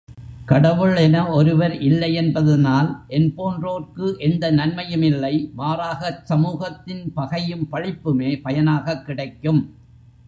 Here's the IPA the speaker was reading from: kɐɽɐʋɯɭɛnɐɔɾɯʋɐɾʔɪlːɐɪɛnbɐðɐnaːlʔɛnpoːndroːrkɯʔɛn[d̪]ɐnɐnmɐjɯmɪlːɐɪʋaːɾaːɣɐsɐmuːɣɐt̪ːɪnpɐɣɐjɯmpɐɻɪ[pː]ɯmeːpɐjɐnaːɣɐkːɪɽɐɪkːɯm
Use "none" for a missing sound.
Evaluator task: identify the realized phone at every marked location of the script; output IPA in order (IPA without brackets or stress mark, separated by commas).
d̪, pː